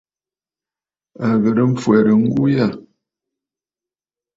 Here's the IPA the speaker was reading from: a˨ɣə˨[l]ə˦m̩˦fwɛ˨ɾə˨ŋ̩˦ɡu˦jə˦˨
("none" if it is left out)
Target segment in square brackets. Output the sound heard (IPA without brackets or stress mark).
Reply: ɾ